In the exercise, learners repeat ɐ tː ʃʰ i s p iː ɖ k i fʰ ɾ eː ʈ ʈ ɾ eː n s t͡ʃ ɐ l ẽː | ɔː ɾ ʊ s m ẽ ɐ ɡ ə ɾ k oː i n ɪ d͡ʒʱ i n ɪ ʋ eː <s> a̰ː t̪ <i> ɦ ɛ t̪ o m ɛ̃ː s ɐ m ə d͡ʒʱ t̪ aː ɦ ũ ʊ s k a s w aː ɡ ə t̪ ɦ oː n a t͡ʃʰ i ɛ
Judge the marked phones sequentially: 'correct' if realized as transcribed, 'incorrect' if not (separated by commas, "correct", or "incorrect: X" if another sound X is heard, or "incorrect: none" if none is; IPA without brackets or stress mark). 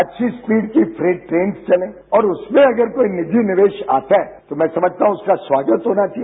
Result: incorrect: ʃ, incorrect: a